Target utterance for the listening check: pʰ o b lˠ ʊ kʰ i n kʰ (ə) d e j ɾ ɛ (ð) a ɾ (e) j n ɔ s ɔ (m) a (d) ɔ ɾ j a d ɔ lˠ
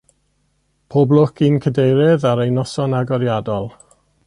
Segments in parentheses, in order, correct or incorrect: correct, correct, correct, incorrect: n, incorrect: ɡ

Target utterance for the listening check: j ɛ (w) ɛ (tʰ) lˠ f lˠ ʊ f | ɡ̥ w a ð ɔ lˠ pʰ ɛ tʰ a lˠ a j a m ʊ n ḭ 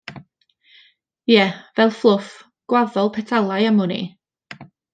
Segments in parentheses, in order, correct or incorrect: incorrect: v, incorrect: none

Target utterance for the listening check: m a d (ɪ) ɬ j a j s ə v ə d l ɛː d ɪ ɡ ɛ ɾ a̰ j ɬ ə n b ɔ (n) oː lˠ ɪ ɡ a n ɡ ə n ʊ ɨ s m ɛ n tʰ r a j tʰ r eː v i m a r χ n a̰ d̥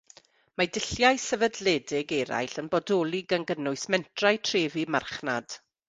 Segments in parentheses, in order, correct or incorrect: correct, incorrect: d

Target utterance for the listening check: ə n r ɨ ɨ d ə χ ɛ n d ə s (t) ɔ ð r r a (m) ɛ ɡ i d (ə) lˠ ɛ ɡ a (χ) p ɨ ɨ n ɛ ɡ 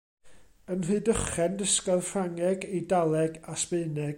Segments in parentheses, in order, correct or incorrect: incorrect: k, incorrect: ŋ, incorrect: a, incorrect: s

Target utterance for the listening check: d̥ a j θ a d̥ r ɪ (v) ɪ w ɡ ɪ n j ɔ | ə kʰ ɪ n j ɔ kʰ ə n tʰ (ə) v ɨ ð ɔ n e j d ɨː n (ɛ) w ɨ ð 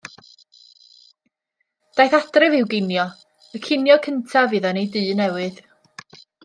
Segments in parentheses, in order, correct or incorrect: correct, incorrect: a, correct

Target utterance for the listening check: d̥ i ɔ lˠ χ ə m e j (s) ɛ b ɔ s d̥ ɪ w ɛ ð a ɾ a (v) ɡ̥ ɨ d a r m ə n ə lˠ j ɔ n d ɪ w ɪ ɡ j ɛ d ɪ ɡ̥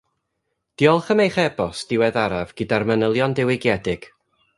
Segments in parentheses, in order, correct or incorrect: incorrect: χ, correct

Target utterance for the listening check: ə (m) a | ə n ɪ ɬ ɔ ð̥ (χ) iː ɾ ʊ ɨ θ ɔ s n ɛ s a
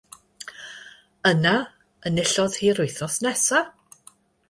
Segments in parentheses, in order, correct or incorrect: incorrect: n, incorrect: h

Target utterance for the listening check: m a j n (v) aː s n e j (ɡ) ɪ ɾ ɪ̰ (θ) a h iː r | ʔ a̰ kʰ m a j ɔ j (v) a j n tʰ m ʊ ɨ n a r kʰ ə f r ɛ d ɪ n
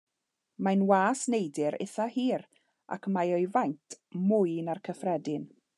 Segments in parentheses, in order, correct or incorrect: incorrect: w, incorrect: d, correct, correct

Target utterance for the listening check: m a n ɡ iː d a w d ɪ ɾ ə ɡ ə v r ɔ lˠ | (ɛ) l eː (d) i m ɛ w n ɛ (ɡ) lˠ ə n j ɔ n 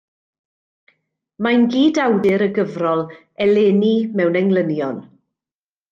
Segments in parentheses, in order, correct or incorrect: correct, incorrect: n, incorrect: ŋ

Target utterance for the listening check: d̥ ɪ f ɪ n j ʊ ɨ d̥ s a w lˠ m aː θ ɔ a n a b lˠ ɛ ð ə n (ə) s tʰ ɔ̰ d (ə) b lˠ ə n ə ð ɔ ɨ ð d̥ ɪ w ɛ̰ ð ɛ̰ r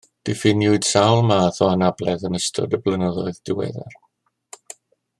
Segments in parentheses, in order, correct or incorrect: correct, correct

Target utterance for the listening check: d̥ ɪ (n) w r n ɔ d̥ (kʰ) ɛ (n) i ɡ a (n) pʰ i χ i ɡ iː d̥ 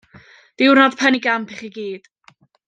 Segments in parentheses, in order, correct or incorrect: incorrect: none, incorrect: pʰ, correct, incorrect: m

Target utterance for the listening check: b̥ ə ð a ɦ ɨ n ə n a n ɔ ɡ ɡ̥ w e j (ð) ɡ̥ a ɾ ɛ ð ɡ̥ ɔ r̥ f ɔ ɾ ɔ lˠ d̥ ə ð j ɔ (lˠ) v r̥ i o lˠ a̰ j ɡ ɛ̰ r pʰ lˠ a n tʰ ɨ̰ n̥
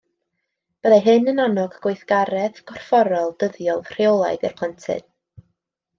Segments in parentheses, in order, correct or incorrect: incorrect: θ, correct

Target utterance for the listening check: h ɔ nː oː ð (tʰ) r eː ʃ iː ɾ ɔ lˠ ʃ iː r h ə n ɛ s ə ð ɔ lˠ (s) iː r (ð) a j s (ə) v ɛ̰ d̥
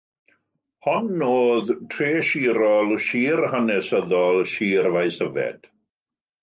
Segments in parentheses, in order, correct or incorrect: correct, incorrect: ʃ, incorrect: v, correct

